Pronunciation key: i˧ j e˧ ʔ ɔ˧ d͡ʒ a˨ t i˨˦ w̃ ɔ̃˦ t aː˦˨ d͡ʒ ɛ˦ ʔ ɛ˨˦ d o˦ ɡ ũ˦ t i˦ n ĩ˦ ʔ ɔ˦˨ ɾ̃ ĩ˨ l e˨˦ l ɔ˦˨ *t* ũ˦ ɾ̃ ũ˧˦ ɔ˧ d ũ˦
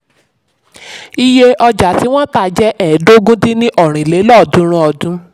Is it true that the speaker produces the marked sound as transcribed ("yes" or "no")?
no